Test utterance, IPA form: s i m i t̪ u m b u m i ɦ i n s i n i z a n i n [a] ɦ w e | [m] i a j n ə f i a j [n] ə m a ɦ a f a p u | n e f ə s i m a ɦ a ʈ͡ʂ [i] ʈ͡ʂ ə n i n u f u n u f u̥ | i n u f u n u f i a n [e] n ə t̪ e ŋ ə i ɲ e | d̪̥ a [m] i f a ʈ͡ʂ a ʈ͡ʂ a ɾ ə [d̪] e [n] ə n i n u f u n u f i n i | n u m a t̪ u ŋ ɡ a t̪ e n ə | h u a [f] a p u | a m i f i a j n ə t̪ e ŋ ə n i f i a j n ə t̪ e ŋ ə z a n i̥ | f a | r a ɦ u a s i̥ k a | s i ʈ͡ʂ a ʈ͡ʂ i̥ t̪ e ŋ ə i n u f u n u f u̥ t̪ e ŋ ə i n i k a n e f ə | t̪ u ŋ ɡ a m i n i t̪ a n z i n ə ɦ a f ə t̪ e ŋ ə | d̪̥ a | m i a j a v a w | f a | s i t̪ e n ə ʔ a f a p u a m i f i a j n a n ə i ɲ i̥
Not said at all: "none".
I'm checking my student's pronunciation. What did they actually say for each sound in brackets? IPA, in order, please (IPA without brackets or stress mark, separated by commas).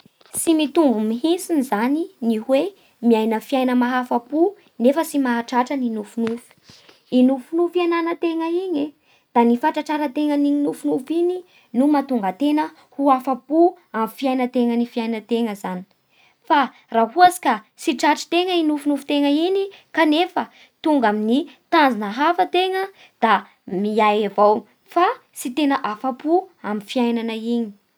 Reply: i, m, n, a, a, n, t̪, ŋ, f